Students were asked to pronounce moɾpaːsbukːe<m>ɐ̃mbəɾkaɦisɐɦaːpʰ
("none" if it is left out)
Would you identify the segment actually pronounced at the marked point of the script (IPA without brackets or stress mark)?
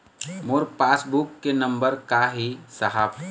n